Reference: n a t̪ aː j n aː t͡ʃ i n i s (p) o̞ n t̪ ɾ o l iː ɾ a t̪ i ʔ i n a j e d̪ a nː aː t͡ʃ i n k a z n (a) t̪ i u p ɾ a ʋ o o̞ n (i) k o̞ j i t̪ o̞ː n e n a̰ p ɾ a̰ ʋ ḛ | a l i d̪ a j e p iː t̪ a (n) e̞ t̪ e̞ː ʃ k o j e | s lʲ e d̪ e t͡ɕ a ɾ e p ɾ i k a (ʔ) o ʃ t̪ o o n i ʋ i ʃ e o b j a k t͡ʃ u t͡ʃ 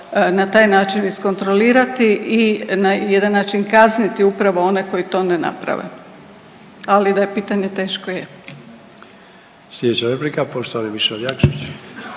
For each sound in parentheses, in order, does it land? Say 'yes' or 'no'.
no, no, no, no, no

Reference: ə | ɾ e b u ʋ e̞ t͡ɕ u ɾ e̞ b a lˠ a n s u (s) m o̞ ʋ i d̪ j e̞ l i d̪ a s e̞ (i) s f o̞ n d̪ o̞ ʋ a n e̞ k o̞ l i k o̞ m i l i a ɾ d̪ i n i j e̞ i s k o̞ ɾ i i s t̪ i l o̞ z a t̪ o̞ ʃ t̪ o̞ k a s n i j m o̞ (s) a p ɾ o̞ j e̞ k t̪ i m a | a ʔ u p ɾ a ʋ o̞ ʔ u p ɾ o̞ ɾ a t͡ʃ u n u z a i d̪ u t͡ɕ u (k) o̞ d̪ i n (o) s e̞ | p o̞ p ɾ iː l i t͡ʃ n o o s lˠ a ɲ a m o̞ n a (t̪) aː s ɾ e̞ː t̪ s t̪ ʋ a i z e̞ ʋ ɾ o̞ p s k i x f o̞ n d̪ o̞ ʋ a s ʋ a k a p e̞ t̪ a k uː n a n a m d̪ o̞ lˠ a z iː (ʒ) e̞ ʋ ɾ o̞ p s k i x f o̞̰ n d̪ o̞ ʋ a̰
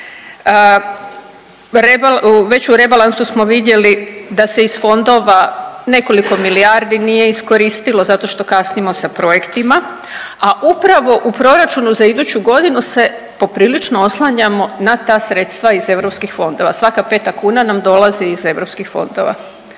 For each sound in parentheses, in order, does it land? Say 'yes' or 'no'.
yes, yes, yes, no, no, yes, no

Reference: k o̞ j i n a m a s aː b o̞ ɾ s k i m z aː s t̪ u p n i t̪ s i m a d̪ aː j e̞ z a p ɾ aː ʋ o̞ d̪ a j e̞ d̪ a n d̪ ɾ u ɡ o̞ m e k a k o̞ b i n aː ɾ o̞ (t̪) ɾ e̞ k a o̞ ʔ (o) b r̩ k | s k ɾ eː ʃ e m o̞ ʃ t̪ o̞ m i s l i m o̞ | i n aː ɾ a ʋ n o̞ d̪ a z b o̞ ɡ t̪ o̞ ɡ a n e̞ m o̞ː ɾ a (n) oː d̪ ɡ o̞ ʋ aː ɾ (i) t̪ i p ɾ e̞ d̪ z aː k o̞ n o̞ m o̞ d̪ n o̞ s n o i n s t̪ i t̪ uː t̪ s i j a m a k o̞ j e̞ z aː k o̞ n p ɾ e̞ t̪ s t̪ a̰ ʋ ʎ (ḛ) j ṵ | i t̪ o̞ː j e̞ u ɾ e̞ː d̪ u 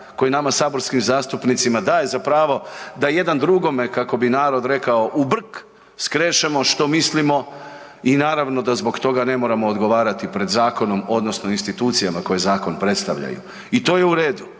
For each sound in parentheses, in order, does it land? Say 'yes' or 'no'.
no, no, no, no, no

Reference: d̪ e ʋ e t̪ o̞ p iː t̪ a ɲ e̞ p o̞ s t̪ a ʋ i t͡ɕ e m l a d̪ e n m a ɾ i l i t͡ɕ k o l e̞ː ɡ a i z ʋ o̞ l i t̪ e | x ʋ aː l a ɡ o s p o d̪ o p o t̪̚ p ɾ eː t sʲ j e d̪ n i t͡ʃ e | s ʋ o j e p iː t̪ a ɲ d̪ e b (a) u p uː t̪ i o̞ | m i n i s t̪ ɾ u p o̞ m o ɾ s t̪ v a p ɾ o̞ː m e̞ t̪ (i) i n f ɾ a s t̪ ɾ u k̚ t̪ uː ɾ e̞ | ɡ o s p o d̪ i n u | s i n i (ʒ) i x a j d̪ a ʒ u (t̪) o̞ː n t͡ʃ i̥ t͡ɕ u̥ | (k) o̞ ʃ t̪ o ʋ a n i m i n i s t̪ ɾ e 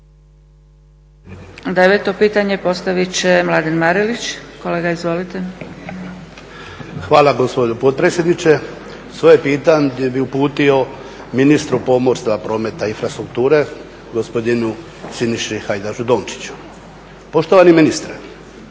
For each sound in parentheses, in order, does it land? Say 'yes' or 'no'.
no, no, no, no, no

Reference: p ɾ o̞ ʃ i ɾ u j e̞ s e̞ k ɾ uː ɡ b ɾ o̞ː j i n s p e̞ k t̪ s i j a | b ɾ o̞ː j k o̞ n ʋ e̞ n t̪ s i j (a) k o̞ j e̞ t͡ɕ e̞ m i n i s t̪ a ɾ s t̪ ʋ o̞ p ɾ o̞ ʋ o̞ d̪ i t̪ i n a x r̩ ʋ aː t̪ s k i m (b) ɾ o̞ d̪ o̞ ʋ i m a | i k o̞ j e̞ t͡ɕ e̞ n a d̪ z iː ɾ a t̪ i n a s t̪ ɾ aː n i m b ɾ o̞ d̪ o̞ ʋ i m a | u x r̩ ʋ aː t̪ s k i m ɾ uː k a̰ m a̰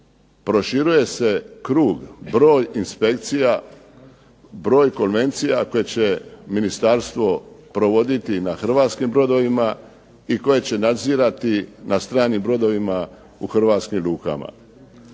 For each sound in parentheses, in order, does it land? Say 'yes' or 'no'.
yes, yes

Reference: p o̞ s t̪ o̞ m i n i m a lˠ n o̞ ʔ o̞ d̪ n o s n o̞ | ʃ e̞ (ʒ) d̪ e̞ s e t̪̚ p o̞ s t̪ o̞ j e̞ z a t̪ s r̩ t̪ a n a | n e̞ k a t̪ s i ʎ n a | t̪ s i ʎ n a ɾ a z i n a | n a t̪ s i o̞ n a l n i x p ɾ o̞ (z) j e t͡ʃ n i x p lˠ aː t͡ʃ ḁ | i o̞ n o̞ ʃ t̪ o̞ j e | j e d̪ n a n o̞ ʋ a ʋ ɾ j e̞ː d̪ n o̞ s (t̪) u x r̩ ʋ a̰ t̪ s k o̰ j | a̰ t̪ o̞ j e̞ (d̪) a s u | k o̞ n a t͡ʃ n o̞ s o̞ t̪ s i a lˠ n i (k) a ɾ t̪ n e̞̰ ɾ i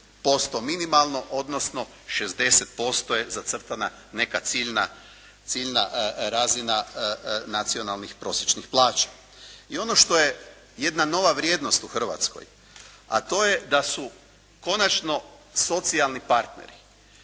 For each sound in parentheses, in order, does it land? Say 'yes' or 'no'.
no, no, yes, yes, no

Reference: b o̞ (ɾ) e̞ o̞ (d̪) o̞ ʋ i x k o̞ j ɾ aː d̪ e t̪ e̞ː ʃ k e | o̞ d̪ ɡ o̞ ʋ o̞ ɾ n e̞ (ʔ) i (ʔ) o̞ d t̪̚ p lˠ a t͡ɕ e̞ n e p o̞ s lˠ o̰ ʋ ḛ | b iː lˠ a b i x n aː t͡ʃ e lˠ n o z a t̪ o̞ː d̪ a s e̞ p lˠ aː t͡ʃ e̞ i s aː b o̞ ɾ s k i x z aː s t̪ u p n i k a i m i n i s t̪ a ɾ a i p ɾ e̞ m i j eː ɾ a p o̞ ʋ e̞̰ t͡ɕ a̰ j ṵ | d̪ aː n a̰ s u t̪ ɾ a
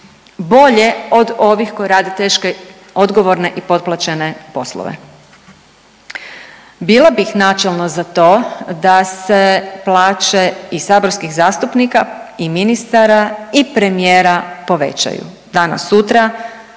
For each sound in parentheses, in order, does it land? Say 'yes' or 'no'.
no, yes, yes, no

